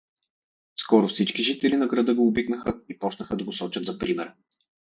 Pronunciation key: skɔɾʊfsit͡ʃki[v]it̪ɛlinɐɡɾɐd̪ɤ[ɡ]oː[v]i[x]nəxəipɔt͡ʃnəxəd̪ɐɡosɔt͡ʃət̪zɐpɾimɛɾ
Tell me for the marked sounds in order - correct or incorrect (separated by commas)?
incorrect, correct, incorrect, incorrect